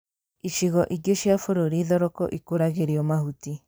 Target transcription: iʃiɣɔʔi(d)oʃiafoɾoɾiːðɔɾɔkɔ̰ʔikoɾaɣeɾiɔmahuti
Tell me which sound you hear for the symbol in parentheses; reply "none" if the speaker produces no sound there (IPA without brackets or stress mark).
ɡ